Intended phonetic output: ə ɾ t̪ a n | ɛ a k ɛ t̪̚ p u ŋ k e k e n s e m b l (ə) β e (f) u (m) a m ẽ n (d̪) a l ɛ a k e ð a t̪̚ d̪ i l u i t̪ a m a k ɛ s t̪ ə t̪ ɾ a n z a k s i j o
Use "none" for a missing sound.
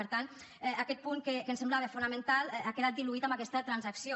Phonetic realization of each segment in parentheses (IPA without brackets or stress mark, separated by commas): a, f, n, t̪